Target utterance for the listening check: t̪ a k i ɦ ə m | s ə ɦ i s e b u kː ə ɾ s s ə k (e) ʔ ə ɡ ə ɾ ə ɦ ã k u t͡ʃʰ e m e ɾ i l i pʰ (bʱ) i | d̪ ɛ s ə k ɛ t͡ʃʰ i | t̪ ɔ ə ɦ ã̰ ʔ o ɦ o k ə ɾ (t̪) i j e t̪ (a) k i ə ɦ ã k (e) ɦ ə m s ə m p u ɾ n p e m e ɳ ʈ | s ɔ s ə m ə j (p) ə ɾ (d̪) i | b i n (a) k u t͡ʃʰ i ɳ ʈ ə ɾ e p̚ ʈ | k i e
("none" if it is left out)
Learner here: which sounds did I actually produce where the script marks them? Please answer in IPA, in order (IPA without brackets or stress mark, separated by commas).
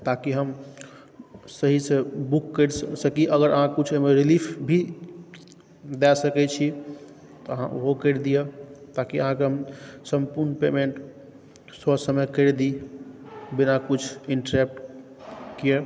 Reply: i, bʱ, d̪, a, e, k, d̪, a